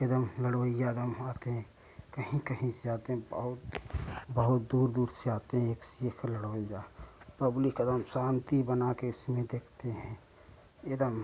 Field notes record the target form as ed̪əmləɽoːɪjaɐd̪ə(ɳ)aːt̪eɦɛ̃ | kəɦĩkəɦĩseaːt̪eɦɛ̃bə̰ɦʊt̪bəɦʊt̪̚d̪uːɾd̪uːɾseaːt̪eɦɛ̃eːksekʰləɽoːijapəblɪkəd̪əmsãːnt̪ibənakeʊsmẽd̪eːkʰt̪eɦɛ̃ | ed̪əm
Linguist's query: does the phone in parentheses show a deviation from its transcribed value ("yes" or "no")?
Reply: yes